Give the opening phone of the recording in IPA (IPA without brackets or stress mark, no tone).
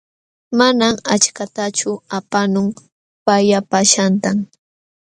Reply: m